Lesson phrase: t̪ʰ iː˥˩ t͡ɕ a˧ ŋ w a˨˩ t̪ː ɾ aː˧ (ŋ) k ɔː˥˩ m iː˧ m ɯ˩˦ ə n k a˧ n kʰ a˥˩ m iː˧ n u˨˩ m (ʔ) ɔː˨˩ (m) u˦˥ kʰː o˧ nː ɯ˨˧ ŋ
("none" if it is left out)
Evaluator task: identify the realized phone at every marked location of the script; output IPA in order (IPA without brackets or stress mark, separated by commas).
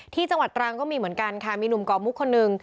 ŋ, k, m